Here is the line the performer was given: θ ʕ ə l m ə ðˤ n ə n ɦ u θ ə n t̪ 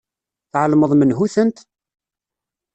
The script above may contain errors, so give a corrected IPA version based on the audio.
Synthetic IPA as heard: θ ʕ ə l m ə ðˤ m ə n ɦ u θ ə n t̪

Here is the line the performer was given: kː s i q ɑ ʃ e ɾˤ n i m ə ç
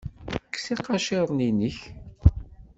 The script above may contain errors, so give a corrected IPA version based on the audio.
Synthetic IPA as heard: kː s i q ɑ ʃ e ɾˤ n i n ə ç

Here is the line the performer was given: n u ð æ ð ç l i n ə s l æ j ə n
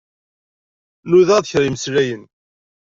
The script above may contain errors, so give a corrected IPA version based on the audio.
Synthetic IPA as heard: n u ð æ ð ç ɾ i m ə s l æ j ə n

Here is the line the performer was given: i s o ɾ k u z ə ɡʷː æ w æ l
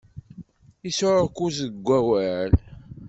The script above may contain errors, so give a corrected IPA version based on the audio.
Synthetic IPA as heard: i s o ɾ k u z ə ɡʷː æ w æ l

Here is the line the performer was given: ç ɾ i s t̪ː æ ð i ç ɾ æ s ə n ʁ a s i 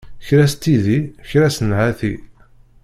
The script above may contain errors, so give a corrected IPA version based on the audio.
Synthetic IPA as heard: ç ɾ æ s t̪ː i ð i ç ɾ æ s ə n ʕ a θ i

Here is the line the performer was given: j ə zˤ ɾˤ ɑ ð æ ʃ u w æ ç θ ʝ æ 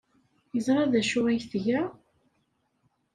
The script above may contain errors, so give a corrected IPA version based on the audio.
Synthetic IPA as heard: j ə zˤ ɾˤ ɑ ð æ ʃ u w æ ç θ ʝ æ

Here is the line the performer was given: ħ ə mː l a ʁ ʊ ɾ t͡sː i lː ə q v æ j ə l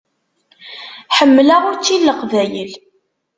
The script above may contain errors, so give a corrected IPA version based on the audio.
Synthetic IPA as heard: ħ ə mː l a ʁ ʊ ɾ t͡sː i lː ə q v æ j ə l

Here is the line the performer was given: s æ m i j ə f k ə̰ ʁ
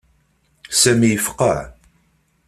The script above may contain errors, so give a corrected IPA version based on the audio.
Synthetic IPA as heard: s æ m i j ə f q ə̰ ʕ

